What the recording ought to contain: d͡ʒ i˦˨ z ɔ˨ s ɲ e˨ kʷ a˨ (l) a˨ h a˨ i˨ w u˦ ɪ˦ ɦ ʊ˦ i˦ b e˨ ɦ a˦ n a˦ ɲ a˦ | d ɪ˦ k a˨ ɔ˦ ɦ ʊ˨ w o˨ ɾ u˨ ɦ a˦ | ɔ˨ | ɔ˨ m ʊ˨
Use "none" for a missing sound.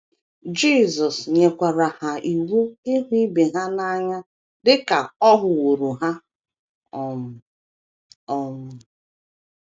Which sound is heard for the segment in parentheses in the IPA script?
ɾ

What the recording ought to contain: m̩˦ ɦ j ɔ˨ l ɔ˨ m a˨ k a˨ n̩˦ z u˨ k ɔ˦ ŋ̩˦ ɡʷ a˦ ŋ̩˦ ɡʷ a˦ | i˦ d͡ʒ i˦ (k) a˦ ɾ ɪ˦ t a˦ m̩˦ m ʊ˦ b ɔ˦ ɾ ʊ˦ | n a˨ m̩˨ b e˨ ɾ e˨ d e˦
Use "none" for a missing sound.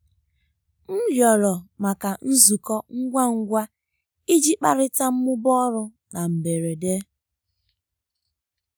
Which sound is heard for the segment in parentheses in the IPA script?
k͡p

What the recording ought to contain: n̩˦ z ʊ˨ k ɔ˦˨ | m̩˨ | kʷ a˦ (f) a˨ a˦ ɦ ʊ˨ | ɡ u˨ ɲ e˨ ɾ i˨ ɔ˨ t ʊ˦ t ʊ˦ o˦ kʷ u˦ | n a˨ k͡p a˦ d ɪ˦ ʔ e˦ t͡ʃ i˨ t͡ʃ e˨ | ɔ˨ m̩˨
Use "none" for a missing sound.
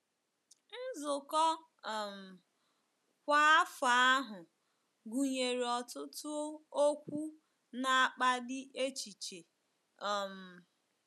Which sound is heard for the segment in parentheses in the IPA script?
f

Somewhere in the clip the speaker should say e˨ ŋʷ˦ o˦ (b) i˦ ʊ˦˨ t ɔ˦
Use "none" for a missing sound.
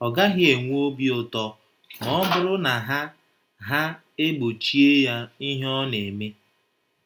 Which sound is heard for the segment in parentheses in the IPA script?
b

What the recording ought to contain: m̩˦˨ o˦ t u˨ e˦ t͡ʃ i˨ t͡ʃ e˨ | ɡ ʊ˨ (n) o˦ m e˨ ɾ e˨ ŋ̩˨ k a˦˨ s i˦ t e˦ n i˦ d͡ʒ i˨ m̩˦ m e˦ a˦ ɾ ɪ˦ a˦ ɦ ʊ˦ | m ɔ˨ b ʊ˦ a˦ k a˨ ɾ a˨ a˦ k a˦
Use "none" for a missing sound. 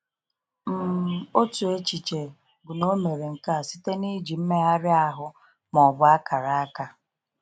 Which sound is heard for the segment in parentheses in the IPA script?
n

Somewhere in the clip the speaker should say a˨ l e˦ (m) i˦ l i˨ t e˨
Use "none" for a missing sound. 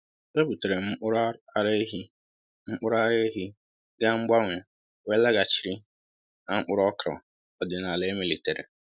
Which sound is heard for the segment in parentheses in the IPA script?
m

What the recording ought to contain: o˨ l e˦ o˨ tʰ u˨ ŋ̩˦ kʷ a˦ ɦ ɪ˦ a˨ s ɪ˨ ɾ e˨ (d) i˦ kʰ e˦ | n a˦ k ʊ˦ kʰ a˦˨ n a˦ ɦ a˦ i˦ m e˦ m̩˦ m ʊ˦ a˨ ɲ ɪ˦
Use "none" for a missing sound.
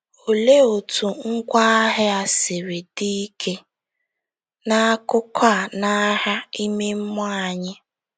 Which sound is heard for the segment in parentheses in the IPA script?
d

